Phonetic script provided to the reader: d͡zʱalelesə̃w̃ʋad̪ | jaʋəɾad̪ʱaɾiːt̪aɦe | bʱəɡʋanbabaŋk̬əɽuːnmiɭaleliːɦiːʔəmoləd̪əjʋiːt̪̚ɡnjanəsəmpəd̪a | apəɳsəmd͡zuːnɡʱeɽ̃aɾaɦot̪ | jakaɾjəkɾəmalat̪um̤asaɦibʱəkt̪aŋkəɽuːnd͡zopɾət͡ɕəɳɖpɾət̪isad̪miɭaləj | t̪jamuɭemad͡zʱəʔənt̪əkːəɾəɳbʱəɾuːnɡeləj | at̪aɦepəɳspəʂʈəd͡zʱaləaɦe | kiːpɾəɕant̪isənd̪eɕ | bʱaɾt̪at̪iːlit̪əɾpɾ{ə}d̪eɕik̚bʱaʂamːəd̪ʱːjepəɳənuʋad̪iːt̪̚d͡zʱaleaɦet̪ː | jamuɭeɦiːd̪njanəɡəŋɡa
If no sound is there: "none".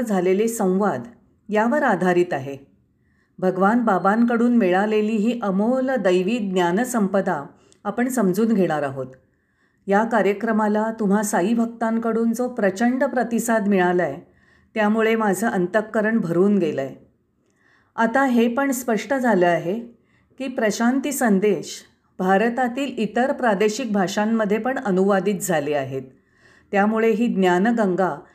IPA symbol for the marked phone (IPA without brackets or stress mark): a